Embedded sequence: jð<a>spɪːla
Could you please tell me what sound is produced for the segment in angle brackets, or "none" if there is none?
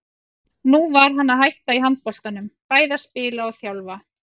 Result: a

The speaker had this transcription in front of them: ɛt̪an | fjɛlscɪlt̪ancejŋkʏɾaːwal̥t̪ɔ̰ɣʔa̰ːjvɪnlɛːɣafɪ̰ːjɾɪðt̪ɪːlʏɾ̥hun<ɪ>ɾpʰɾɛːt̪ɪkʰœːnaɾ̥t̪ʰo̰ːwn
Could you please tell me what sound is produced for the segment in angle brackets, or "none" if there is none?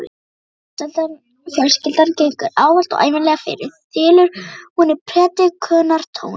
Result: ɪ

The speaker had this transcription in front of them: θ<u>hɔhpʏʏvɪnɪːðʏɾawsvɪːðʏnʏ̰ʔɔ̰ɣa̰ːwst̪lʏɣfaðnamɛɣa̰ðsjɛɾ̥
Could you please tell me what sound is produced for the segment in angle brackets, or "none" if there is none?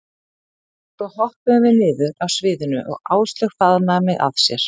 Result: ɔ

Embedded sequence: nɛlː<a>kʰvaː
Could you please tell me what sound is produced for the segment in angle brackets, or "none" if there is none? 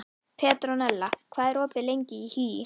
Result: a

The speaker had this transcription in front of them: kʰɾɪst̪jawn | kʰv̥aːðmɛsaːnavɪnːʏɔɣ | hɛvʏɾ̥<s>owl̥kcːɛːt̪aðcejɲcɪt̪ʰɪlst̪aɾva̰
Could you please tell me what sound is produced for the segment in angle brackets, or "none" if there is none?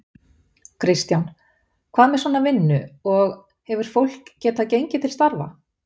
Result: f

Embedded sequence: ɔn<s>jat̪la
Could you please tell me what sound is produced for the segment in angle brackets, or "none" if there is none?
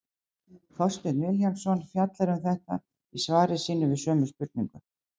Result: f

